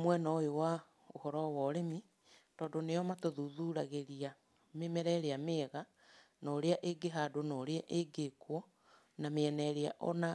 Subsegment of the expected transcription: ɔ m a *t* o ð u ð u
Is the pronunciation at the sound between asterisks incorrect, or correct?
correct